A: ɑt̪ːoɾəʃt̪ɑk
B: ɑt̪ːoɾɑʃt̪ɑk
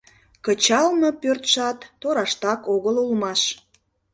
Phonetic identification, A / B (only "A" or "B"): B